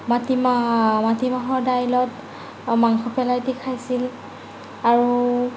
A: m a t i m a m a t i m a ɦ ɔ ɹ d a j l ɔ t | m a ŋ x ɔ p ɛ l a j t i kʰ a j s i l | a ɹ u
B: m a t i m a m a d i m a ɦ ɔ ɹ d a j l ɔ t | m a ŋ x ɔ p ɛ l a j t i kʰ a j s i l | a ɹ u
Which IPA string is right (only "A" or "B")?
A